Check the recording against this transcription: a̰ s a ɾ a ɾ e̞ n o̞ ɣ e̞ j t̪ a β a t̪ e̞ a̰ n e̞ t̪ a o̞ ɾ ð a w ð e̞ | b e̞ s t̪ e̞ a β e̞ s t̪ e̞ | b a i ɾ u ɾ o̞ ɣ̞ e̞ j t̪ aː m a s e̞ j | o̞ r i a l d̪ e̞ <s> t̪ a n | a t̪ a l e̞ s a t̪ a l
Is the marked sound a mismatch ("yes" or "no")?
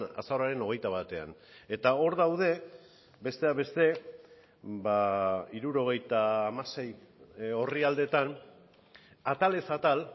yes